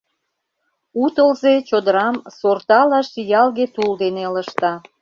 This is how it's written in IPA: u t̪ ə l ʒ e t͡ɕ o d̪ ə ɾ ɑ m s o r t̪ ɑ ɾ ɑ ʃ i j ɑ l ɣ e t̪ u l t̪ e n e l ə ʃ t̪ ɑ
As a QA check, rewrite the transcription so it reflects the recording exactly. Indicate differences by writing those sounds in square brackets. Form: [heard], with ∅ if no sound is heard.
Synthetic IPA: u t̪ ə l [z] e t͡ɕ o d̪ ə ɾ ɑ m s o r t̪ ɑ [l] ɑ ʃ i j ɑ l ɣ e t̪ u l [d̪] e n e l ə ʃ t̪ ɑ